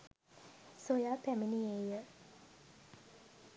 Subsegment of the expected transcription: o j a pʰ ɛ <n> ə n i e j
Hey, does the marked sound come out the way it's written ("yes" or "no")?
no